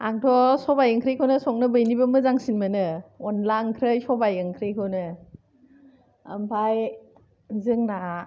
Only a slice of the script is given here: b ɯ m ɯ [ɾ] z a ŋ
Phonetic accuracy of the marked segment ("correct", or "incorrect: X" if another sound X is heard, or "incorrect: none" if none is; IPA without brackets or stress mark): incorrect: none